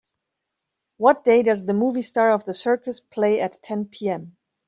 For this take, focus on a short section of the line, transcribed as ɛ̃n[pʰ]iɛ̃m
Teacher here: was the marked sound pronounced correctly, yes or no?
yes